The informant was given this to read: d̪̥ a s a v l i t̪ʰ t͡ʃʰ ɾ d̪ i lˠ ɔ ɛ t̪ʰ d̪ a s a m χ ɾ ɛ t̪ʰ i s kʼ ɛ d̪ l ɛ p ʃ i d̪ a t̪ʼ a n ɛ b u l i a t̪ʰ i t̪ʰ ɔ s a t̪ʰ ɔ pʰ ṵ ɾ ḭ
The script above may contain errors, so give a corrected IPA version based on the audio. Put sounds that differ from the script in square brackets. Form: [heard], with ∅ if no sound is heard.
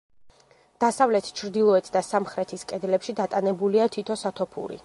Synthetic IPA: d̪̥ a s a v l [ɛ] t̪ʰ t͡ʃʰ ɾ d̪ i lˠ ɔ ɛ t̪ʰ d̪ a s a m χ ɾ ɛ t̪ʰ i s kʼ ɛ d̪ l ɛ p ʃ i d̪ a t̪ʼ a n ɛ b u l i a t̪ʰ i t̪ʰ ɔ s a t̪ʰ ɔ pʰ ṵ ɾ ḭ